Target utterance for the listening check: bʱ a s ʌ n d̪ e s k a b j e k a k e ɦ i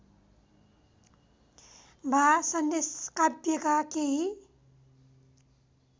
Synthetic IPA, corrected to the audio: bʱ a s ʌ n d̪ e s k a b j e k a k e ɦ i